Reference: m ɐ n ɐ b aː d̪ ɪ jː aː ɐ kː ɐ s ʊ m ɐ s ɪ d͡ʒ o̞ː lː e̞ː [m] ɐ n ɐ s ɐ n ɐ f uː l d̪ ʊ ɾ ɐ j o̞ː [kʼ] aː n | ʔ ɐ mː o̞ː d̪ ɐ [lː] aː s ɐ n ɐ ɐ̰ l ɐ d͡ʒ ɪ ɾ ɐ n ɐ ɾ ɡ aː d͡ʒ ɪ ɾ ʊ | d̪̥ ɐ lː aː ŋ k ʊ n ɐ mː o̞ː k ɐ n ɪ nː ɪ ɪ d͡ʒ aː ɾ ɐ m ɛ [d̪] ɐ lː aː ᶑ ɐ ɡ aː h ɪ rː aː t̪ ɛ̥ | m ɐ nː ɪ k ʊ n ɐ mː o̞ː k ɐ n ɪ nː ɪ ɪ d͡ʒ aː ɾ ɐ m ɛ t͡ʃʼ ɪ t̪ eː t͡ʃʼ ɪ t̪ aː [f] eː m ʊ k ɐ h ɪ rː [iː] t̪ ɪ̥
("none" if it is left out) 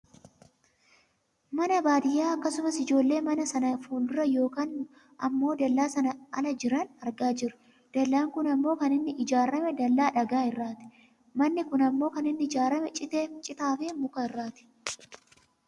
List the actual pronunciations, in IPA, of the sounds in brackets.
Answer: m, k, lː, d̪, f, aː

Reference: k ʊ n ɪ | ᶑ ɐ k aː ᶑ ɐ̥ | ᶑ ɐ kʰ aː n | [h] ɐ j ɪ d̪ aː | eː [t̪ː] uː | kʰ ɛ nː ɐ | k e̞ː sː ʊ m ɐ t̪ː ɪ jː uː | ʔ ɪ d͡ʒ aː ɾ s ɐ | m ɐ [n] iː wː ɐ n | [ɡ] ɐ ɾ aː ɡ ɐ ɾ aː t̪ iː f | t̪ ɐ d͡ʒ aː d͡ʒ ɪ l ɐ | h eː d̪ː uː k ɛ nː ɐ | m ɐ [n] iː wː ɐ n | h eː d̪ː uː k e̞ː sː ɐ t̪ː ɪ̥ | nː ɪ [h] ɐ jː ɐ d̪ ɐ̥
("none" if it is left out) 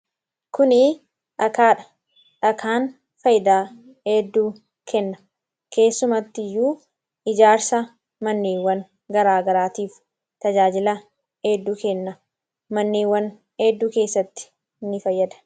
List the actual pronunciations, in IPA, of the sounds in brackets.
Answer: f, d̪ː, nː, ɡ, nː, f

